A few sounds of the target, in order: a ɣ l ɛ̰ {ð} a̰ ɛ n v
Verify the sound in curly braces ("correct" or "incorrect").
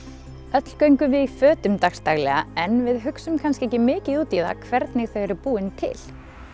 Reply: incorrect